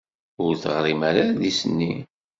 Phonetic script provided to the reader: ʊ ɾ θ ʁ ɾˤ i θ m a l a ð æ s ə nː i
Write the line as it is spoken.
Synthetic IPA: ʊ ɾ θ ʁ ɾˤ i m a ɾ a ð i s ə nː i